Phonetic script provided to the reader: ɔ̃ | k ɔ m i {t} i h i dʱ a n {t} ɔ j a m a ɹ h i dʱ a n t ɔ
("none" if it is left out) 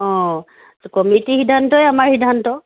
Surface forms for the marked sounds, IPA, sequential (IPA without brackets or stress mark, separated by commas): t, t